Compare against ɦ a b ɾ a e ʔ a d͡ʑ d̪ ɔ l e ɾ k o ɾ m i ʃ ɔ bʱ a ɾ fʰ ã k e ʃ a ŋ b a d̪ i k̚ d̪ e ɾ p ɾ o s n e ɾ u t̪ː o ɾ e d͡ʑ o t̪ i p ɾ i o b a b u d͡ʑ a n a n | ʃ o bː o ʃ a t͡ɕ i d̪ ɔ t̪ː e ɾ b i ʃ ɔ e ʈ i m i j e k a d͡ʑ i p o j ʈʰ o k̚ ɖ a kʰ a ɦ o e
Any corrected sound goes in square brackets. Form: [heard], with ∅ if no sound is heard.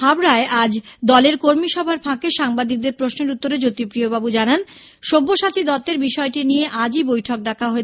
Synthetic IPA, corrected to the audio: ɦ a b ɾ a e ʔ a d͡ʑ d̪ ɔ l e ɾ k o ɾ m i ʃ ɔ bʱ a ɾ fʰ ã k e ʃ a ŋ b a d̪ i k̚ d̪ e ɾ p ɾ o s n e ɾ u t̪ː o ɾ e d͡ʑ o t̪ i p ɾ i o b a b u d͡ʑ a n a n | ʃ o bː o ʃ a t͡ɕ i d̪ ɔ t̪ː e ɾ b i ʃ ɔ e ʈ i [n] i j e [ʔ] a d͡ʑ i [b] o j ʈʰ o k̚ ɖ a kʰ a ɦ o e